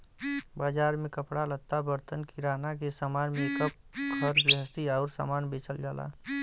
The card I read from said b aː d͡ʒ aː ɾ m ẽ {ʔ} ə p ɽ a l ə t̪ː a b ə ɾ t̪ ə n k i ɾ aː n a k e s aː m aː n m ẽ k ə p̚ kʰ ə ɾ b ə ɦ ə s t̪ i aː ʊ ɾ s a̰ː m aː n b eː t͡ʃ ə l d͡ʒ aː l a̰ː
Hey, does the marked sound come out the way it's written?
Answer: no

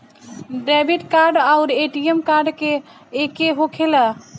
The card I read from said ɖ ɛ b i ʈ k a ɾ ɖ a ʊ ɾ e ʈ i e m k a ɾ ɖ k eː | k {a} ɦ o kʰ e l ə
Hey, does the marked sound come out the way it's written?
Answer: no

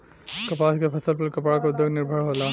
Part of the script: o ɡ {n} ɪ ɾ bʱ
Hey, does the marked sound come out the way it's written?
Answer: yes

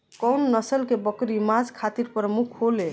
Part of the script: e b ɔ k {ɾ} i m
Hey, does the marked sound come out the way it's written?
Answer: yes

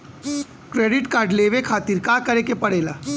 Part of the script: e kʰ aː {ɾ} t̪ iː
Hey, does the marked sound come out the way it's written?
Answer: no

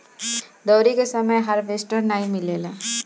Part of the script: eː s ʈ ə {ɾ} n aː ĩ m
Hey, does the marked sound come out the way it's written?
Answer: yes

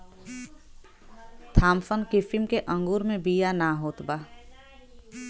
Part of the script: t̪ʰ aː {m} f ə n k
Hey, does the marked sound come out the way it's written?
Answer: yes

